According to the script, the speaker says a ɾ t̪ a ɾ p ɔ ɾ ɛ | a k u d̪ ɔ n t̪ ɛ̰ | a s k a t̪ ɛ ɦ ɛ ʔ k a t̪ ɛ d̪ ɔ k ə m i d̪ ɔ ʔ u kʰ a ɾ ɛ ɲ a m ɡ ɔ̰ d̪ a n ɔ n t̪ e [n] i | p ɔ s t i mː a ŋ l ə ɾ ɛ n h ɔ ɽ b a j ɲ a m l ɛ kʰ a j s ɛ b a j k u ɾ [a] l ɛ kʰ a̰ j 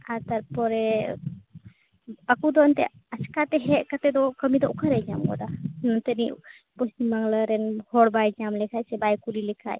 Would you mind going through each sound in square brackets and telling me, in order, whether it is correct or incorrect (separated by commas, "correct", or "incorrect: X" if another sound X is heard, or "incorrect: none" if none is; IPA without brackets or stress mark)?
correct, incorrect: i